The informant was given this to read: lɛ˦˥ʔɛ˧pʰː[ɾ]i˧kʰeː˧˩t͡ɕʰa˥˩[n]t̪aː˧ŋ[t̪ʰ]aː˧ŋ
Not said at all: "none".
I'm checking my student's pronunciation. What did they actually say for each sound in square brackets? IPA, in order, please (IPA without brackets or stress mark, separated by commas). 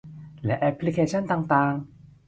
l, n, t̪